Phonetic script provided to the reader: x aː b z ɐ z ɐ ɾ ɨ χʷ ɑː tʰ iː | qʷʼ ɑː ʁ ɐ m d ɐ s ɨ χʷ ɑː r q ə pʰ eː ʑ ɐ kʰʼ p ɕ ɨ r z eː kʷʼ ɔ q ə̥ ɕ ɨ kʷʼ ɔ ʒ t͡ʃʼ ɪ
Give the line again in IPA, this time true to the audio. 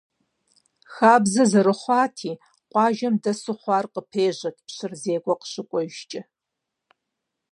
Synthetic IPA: x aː b z ɐ z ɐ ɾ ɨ χʷ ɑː tʰ iː | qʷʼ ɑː ʒ ɐ m d ɐ s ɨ χʷ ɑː r q ə pʰ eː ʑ ɐ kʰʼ p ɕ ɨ r z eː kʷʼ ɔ q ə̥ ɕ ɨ kʷʼ ɔ ʒ t͡ʃʼ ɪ